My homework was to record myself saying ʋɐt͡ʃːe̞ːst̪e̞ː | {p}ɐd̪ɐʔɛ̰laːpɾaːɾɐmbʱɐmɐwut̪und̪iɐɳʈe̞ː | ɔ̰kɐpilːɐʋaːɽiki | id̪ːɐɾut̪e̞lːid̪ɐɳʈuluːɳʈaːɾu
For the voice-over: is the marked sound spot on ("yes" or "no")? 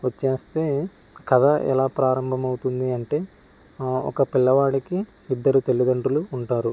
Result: no